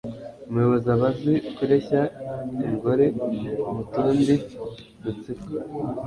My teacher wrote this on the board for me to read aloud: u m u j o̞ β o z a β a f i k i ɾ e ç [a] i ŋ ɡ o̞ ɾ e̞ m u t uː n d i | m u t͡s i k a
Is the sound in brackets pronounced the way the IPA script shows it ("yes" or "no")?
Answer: yes